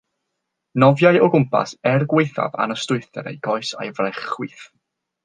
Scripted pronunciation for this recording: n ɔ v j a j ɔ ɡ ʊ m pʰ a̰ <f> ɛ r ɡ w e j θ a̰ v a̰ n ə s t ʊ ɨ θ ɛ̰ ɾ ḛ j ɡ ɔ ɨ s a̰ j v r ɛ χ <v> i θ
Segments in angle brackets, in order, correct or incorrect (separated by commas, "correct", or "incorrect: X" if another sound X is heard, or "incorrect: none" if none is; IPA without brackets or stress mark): incorrect: s, incorrect: w